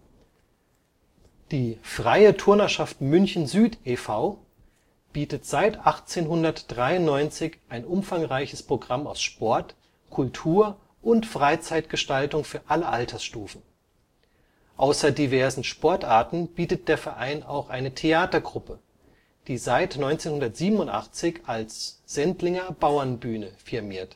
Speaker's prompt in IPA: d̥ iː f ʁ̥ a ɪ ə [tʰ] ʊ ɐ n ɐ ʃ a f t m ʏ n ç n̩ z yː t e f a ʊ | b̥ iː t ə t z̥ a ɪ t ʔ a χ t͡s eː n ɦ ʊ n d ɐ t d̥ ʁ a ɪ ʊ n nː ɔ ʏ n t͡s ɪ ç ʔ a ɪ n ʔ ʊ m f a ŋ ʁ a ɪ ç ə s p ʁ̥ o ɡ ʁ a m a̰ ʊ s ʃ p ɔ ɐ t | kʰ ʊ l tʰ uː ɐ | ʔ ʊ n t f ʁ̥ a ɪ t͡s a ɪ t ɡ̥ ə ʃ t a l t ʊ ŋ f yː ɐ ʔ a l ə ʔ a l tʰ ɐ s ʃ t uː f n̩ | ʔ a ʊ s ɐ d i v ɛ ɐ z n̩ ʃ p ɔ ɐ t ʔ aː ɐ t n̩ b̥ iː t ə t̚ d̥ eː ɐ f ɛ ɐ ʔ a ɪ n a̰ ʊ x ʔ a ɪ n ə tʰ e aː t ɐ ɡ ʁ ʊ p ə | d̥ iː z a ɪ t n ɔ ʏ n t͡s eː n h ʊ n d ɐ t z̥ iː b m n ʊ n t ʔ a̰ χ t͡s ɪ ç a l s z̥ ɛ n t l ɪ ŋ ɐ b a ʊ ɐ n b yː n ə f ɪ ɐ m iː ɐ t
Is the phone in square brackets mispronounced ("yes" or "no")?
no